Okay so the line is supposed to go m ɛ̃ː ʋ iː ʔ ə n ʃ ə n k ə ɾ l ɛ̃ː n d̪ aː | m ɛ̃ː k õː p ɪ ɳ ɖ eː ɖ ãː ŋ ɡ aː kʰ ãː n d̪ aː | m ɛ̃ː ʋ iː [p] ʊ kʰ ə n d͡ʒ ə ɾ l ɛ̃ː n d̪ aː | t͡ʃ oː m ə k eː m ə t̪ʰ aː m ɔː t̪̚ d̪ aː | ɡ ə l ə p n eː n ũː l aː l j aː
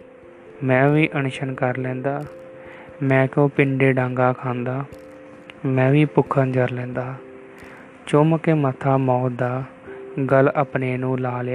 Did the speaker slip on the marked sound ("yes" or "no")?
no